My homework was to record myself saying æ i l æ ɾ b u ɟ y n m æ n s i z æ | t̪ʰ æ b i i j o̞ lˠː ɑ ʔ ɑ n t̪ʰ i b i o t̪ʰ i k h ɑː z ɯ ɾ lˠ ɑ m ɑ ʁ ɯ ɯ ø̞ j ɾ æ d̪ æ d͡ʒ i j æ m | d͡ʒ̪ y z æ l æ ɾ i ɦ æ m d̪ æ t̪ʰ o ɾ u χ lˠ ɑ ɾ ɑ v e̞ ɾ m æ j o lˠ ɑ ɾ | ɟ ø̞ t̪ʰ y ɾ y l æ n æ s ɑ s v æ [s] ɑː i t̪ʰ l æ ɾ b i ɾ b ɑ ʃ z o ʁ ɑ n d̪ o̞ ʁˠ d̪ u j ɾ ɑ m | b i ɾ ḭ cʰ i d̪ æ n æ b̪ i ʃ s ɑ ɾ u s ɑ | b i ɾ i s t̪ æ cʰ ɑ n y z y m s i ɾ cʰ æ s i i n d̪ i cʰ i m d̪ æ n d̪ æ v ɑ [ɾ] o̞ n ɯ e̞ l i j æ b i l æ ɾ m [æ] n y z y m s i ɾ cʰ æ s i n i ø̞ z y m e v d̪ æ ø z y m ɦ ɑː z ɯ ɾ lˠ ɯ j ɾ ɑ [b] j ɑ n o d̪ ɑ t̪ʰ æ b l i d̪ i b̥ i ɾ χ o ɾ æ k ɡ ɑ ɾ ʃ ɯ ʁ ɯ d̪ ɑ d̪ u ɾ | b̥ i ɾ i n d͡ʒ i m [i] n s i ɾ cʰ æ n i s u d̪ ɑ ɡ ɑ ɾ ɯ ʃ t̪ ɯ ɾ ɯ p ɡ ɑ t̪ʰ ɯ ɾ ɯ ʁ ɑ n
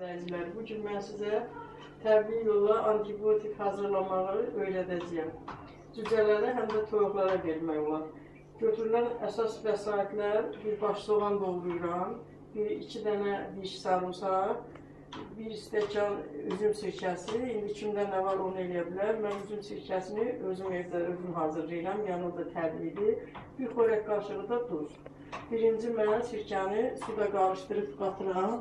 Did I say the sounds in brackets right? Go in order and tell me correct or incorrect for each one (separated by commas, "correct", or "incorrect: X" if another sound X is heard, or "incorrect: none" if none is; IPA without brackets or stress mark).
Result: correct, correct, correct, incorrect: m, incorrect: æ